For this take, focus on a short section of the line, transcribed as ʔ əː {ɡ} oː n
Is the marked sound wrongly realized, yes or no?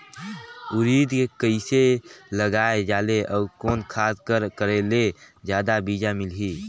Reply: yes